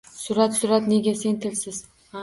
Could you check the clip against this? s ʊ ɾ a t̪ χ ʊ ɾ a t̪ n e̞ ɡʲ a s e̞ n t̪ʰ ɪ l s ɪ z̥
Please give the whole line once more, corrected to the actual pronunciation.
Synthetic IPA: s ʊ ɾ a t̪ s ʊ ɾ a t̪ n e̞ ɡʲ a s e̞ n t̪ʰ ɪ l s ɪ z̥